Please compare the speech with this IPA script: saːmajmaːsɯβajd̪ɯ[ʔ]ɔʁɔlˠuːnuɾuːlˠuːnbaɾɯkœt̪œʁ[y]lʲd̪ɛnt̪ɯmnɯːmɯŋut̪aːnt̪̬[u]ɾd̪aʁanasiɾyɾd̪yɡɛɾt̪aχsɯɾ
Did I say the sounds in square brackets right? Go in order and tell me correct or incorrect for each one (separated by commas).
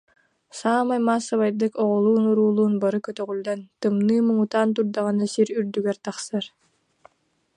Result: incorrect, correct, correct